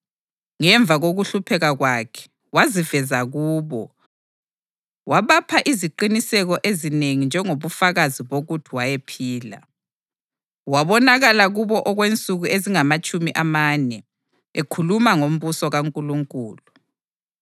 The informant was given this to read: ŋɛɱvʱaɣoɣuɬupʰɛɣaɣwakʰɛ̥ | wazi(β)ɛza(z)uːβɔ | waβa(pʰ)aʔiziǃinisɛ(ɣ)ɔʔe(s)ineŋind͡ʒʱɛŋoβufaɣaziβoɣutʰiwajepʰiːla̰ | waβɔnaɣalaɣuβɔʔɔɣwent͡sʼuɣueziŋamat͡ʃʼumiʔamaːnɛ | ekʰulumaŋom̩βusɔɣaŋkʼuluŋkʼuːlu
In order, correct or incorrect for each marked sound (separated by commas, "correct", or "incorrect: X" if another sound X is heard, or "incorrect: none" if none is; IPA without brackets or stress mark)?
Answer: incorrect: v, incorrect: ɣ, correct, correct, incorrect: z